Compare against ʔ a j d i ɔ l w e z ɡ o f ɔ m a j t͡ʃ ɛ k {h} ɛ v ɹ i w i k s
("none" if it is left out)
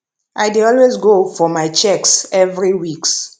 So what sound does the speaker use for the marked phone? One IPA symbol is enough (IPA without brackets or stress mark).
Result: s